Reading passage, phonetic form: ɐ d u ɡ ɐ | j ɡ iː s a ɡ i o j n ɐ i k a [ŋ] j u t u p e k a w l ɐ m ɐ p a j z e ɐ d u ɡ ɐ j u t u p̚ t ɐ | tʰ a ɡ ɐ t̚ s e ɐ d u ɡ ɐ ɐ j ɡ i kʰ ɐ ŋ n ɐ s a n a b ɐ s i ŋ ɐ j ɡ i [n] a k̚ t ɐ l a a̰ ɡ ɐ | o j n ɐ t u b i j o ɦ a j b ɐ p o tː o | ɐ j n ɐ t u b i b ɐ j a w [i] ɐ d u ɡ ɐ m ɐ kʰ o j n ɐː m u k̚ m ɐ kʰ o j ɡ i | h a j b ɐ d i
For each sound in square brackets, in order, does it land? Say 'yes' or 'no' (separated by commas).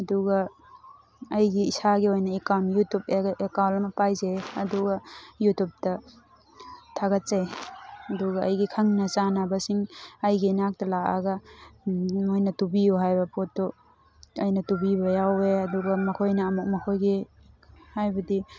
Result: no, yes, no